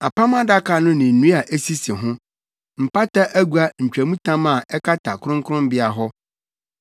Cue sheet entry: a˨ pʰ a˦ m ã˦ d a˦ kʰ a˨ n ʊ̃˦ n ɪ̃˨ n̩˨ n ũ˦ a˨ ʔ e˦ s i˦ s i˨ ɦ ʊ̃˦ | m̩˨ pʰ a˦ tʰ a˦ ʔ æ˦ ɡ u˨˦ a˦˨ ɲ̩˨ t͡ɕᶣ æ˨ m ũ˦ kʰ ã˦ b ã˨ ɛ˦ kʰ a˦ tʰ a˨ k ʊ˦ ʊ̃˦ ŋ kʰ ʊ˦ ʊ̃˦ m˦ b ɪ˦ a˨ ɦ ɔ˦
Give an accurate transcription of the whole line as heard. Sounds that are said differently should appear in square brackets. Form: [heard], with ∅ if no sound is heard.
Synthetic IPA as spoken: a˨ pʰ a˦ m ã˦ d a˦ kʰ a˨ n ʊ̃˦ n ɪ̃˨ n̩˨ n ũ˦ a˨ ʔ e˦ s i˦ s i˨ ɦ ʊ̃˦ | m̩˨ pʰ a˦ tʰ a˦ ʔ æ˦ ɡ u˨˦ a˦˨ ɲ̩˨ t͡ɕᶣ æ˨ m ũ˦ [tʰ] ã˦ [m] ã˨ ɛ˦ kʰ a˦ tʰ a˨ k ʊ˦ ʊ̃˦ ŋ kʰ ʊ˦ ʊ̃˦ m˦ b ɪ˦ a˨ ɦ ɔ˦